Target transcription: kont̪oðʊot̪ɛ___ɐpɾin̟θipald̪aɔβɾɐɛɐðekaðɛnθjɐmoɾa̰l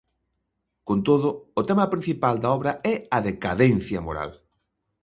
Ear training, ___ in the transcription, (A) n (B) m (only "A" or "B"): B